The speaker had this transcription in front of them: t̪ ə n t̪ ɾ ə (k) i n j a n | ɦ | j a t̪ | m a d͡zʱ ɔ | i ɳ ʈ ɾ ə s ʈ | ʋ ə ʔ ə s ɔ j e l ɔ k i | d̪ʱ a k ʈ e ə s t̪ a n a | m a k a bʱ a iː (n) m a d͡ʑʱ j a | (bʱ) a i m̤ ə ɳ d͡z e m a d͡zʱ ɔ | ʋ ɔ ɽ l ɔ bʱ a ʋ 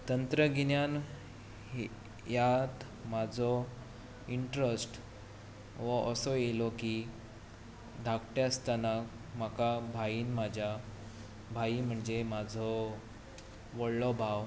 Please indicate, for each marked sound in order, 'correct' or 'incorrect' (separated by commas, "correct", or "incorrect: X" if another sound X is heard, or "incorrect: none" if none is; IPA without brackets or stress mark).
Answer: incorrect: ɡ, correct, correct